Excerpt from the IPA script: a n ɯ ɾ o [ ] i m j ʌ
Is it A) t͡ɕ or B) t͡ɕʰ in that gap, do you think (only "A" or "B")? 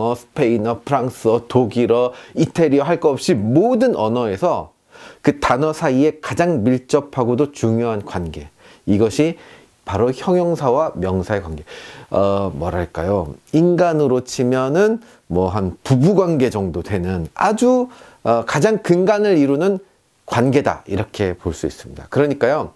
B